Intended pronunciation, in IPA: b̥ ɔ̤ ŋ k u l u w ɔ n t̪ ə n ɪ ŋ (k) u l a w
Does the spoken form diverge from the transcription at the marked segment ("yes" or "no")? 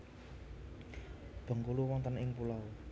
yes